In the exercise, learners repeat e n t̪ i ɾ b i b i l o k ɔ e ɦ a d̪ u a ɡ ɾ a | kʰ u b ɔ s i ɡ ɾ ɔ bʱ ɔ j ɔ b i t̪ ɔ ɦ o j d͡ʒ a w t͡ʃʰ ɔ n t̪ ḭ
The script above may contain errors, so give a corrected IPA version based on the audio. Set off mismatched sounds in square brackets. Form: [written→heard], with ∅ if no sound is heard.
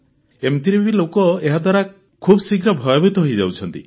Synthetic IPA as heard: e [n→m] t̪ i ɾ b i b i l o k ɔ e ɦ a d̪ [u→w] a [ɡ→∅] ɾ a | kʰ u b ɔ s i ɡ ɾ ɔ bʱ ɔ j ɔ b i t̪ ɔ ɦ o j d͡ʒ a w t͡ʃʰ ɔ n t̪ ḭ